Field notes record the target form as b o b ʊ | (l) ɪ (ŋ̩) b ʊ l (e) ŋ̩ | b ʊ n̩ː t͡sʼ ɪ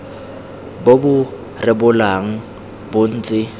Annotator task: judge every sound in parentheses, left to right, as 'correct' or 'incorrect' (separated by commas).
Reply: incorrect, incorrect, incorrect